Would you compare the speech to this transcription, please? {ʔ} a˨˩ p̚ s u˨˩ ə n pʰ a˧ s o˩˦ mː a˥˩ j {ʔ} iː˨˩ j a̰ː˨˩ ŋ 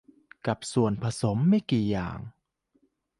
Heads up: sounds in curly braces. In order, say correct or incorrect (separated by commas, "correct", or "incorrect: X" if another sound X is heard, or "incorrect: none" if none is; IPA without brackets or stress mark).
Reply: incorrect: k, incorrect: k